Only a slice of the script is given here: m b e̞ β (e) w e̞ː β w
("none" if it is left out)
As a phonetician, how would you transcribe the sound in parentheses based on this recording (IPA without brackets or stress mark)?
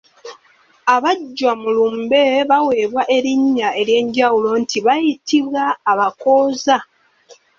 a